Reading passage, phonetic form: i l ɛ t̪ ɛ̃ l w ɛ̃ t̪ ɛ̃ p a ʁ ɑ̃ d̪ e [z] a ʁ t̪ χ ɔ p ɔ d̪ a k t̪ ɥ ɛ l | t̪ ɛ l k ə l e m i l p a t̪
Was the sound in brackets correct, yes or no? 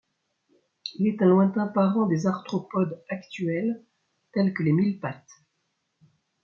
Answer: yes